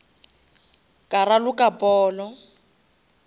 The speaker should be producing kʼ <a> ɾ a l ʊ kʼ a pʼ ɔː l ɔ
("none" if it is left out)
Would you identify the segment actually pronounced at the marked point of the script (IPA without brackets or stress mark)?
a